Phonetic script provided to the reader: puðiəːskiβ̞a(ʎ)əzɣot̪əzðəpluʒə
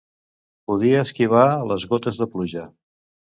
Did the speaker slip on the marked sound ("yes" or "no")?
yes